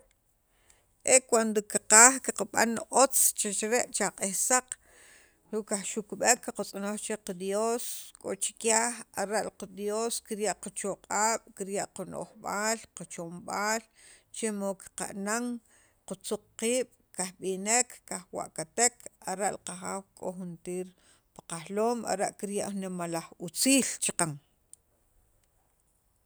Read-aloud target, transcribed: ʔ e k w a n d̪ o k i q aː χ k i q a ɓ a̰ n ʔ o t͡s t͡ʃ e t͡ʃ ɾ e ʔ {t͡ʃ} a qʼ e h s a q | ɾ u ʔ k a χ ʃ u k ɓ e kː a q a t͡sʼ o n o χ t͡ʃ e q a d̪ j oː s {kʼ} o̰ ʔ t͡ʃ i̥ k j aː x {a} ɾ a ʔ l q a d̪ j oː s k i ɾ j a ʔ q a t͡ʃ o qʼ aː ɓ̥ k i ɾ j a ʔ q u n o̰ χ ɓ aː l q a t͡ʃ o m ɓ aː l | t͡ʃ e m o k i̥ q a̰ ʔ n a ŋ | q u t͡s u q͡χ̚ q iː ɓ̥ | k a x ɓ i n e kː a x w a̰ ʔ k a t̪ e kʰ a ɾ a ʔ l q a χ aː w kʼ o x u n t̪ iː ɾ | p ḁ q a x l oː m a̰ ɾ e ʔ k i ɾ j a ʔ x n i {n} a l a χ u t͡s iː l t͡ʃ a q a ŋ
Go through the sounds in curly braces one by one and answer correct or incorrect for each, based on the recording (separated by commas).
correct, correct, correct, incorrect